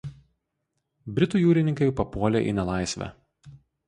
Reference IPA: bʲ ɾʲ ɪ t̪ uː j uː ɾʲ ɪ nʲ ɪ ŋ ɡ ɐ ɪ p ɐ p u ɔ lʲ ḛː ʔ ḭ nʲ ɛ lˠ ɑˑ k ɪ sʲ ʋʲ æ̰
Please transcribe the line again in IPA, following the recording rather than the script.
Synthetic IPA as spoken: bʲ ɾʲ ɪ t̪ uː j uː ɾʲ ɪ nʲ ɪ ŋ k ɐ ɪ p ɐ p u ɔ lʲ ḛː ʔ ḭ nʲ ɛ lˠ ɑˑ ɪ sʲ ʋʲ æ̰